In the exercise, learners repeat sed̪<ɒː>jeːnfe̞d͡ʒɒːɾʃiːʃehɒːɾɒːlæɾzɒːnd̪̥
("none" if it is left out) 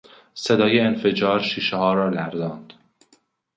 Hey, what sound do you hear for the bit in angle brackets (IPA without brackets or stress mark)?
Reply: ɒː